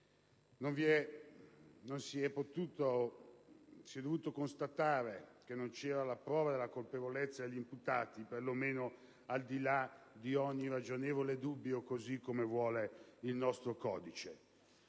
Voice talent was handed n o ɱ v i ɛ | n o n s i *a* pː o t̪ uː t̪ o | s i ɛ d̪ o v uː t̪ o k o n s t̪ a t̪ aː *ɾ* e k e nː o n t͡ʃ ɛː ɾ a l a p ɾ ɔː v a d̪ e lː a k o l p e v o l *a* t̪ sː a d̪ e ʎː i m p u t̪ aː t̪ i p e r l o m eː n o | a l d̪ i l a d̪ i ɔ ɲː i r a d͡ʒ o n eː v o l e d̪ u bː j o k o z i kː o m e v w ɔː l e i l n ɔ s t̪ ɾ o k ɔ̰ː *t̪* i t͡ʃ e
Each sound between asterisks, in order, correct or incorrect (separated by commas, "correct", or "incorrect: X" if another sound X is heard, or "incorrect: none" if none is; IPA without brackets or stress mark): incorrect: ɛ, correct, incorrect: e, incorrect: d̪